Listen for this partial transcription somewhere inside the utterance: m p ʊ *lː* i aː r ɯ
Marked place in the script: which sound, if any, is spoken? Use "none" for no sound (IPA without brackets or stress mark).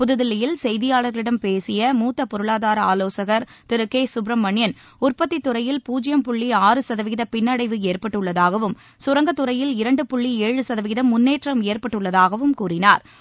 ɭː